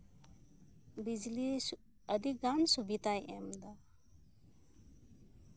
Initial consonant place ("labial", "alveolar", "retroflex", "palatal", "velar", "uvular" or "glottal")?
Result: labial